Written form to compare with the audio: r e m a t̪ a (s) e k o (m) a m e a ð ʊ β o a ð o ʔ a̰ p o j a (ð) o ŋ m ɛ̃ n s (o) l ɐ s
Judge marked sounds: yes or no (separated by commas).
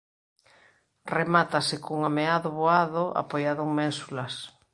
yes, no, yes, no